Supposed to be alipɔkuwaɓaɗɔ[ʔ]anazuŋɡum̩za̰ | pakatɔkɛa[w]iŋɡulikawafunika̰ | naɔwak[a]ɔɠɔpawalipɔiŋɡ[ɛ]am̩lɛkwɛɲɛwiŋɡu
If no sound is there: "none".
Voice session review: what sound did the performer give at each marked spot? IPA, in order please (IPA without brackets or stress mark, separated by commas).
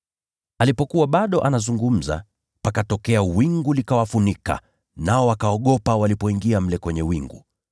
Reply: ʔ, w, a, i